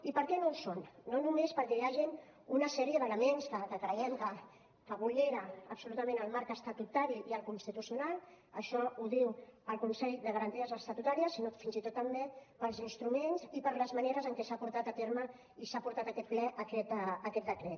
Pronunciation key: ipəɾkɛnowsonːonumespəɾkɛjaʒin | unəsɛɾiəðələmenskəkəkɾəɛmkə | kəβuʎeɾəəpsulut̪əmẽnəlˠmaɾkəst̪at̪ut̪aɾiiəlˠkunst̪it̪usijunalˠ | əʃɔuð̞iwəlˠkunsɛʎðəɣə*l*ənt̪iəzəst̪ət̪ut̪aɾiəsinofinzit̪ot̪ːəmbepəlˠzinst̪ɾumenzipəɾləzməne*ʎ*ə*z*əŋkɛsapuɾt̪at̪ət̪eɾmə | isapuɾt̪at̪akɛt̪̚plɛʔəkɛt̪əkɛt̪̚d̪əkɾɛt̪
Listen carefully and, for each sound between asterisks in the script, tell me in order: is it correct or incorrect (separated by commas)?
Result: incorrect, incorrect, correct